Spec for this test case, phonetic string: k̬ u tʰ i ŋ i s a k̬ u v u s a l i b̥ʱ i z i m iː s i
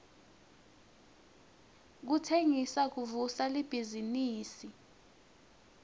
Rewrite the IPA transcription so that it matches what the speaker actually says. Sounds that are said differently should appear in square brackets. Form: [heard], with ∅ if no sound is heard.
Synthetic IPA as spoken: k̬ u tʰ [e] ŋ i s a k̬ u v u s a l i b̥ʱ i z i [n] iː s i